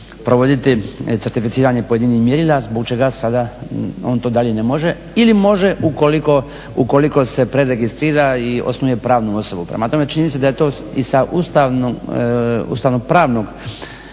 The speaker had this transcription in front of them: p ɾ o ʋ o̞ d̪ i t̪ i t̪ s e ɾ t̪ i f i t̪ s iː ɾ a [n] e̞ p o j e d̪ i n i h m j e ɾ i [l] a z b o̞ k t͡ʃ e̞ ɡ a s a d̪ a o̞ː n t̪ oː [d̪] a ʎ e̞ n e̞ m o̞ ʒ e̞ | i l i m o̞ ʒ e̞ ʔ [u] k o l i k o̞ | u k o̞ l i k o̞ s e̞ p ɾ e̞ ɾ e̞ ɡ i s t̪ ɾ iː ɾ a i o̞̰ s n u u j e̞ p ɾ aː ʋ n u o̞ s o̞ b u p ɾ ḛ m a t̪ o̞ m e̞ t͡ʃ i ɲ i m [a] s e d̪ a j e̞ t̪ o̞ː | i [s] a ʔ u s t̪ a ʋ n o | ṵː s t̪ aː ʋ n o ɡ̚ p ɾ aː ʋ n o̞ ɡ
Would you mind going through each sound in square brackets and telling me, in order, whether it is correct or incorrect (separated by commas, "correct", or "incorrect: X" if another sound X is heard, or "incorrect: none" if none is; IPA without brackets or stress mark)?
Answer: incorrect: ɲ, correct, correct, correct, incorrect: i, correct